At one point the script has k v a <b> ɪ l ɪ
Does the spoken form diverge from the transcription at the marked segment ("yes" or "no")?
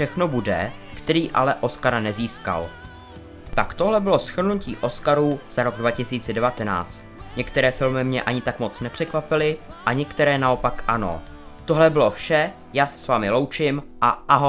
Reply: yes